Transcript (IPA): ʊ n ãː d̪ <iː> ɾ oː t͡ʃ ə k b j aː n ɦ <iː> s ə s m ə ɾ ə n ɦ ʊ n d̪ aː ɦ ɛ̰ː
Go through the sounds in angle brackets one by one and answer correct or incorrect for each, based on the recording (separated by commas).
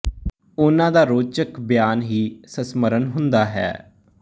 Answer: incorrect, correct